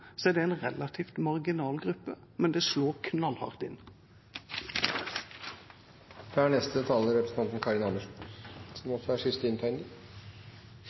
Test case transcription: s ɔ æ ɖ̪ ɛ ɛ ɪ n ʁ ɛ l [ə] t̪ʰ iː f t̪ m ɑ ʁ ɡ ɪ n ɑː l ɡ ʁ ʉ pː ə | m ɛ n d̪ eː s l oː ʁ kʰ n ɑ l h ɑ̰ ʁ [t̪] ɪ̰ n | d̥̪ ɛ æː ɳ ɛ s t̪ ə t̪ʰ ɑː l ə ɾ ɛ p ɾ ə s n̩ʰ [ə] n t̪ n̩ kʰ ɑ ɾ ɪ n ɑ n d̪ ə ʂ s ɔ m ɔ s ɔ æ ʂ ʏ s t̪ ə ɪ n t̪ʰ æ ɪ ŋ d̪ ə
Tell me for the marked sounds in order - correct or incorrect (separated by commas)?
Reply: incorrect, correct, incorrect